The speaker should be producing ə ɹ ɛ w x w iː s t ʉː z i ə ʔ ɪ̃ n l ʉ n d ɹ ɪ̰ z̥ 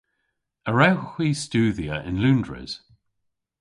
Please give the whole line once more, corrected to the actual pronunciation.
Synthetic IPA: ə ɹ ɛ w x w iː s t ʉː ð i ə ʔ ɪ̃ n l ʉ n d ɹ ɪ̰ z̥

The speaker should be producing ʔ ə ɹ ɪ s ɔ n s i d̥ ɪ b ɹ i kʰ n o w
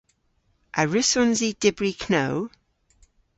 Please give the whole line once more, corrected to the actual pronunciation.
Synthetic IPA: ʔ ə ɹ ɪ s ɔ n z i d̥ ɪ b ɹ i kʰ n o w

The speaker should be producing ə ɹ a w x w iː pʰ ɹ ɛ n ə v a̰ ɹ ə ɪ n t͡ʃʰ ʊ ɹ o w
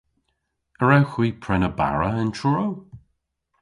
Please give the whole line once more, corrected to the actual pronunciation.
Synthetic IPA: ə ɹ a w x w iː pʰ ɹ ɛ n ə b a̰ ɹ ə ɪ n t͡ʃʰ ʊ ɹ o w

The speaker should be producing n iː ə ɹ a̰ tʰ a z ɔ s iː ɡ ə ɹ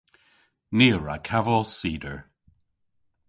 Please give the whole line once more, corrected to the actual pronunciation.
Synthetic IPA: n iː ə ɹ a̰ kʰ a v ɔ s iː d ə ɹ

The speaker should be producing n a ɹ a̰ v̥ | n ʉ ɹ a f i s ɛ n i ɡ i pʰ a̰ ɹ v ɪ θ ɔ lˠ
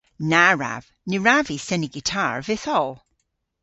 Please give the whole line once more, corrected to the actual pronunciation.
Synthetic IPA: n a ɹ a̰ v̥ | n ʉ ɹ a v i s ɛ n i ɡ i tʰ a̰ ɹ v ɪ θ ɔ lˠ

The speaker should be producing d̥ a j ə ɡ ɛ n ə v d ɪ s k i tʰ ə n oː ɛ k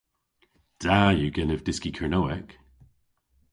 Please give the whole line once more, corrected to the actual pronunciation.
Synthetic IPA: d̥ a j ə ɡ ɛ n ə v d ɪ s k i kʰ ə n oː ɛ k

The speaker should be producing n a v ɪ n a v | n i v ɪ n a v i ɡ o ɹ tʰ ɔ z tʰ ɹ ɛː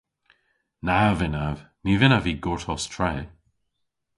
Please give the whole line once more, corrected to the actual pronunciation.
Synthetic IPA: n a v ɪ n a v | n i v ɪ n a v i ɡ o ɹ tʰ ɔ s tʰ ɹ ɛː

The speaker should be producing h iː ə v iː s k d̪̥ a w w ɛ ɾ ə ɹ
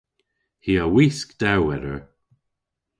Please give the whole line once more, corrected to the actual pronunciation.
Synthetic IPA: h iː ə w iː s k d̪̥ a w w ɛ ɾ ə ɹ

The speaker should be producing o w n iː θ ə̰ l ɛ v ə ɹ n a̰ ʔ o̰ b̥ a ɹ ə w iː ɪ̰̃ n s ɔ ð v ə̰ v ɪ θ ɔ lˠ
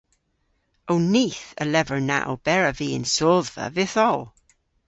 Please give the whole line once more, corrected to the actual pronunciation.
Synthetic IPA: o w n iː θ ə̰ l ɛ v ə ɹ n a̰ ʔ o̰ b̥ ɛ ɹ ə v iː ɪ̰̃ n s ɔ ð v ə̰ v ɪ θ ɔ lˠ

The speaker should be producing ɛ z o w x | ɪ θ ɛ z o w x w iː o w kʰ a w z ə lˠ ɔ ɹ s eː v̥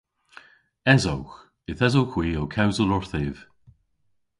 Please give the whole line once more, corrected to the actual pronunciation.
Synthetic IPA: ɛ z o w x | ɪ θ ɛ z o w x w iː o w kʰ a w z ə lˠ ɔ ɹ θ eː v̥

